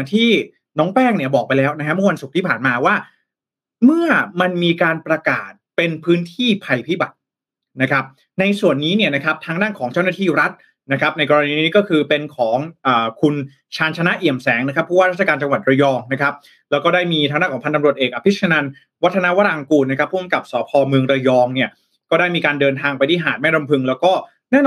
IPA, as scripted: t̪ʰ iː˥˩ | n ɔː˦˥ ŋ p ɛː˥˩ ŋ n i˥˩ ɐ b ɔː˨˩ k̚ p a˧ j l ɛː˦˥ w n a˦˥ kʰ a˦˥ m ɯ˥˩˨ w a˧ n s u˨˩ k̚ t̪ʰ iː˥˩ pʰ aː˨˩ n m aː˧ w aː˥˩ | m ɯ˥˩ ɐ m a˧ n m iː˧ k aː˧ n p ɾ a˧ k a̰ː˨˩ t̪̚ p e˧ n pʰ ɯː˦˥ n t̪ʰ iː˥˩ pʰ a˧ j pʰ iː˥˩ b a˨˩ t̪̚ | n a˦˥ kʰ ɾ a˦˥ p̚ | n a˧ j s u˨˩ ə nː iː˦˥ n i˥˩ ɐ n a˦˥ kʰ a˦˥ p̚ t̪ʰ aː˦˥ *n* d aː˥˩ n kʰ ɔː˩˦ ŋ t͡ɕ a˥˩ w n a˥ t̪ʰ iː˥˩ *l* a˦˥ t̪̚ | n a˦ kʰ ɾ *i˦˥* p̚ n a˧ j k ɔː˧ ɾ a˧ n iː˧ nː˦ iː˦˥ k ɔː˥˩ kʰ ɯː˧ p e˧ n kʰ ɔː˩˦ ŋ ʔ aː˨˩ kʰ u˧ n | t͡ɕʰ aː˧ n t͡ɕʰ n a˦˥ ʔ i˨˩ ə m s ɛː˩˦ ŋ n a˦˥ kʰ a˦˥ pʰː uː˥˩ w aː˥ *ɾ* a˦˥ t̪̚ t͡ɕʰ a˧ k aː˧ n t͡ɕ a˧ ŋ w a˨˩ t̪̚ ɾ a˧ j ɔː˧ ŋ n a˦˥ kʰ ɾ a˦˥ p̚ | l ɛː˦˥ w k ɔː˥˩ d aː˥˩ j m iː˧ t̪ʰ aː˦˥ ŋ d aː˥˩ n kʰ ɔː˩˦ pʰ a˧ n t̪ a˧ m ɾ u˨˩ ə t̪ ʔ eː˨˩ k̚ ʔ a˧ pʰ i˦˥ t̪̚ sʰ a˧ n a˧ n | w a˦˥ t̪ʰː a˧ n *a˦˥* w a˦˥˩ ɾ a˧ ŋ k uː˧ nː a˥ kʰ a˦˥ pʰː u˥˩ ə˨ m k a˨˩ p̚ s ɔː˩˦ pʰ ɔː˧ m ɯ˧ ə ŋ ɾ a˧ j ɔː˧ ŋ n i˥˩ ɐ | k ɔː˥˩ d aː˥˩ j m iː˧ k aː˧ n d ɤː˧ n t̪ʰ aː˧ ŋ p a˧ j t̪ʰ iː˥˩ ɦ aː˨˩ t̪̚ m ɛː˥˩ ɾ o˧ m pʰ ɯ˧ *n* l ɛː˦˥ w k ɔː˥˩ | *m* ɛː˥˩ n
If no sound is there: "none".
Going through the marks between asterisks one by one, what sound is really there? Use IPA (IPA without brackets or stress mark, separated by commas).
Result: ŋ, ɾ, a˦˥, ɾ, a˦˥, ŋ, n